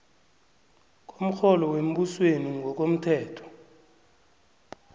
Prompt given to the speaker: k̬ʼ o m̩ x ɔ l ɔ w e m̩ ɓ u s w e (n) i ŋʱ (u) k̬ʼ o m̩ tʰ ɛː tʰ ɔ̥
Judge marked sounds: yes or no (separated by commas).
yes, no